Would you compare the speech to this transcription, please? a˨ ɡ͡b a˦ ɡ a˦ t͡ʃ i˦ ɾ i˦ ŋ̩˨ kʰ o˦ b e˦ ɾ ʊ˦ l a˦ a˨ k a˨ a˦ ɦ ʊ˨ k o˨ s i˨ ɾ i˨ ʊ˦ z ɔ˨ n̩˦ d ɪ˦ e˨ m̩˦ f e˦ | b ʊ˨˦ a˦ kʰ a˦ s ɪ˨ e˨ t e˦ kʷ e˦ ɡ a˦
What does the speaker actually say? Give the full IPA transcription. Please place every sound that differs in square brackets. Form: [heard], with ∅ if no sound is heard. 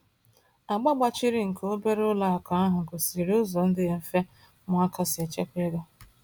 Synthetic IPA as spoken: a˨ ɡ͡b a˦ [ɡ͡b] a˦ t͡ʃ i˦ ɾ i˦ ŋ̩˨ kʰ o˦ b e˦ ɾ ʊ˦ l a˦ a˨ k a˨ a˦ ɦ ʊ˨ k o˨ s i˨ ɾ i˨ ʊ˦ z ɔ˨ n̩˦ d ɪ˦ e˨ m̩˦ f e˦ | [m] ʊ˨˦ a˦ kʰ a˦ s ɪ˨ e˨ [t͡ʃ] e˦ kʷ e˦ ɡ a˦